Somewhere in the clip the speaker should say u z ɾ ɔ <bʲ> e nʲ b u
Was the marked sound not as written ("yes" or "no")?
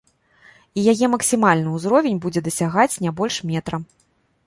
yes